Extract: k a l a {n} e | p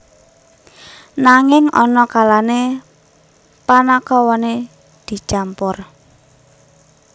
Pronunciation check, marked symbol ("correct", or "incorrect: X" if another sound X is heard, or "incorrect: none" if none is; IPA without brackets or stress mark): correct